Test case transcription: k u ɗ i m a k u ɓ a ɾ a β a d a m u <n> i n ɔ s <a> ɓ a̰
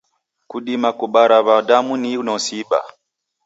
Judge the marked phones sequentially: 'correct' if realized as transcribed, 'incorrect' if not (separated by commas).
correct, incorrect